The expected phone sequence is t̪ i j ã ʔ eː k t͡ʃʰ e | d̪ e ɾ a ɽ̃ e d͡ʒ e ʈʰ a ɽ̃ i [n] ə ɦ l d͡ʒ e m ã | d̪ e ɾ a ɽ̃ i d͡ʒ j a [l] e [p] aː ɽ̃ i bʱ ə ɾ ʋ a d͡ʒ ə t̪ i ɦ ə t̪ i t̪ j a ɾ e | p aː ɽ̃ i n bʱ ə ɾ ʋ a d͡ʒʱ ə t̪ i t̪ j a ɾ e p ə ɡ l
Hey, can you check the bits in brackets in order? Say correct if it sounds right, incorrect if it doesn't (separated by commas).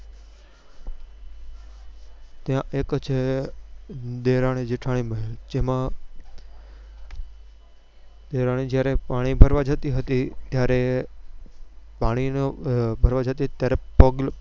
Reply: incorrect, incorrect, correct